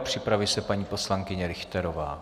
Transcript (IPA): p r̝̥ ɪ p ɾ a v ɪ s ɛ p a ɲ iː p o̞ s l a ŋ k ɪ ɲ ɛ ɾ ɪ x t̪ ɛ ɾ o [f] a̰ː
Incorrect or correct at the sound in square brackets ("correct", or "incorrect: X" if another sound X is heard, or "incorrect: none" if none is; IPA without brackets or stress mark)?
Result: incorrect: v